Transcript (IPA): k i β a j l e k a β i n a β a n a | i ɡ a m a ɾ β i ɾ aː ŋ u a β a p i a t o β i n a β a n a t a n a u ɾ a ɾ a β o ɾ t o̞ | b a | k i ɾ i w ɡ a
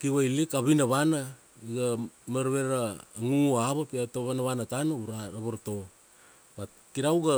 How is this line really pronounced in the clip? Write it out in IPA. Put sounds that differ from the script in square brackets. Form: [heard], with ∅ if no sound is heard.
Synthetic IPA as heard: k i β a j l [i] k a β i n a β a n a | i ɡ a m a ɾ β [e] ɾ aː ŋ u a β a p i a t o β [a] n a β a n a t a n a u ɾ a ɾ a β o ɾ t o̞ | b a | k i ɾ [a] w ɡ a